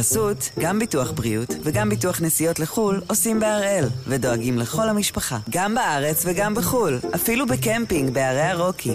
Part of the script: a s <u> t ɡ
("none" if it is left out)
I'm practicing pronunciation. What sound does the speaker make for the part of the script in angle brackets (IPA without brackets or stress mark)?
u